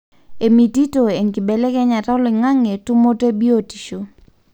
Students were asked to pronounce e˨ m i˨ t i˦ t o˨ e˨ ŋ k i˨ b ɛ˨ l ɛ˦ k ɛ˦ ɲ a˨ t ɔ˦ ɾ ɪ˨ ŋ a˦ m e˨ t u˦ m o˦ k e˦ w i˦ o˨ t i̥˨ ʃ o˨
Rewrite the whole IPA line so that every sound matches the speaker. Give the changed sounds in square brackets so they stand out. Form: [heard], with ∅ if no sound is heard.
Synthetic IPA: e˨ m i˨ t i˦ t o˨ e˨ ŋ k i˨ b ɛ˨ l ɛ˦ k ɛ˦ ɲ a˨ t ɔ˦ [l] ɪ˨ ŋ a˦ [ŋ] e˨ t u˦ m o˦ [t] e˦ [b] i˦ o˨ t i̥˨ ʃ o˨